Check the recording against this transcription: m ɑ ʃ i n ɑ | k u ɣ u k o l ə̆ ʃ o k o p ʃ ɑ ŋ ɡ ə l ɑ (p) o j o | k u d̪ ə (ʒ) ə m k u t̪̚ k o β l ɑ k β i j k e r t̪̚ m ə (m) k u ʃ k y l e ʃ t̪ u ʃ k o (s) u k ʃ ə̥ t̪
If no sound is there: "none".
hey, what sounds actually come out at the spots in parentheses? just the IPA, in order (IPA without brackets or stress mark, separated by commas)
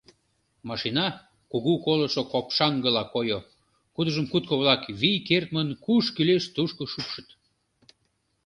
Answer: k, ʒ, n, ʃ